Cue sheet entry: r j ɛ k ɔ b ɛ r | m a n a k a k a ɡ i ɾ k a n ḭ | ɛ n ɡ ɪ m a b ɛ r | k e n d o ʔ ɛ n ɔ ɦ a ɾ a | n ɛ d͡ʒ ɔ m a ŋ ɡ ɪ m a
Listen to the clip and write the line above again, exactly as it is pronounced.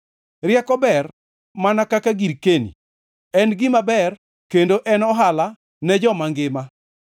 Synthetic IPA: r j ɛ k ɔ b ɛ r | m a n a k a k a ɡ i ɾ k e n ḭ | ɛ n ɡ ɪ m a b ɛ r | k e n d o ʔ ɛ n ɔ ɦ a l a | n ɛ d͡ʒ ɔ m a ŋ ɡ ɪ m a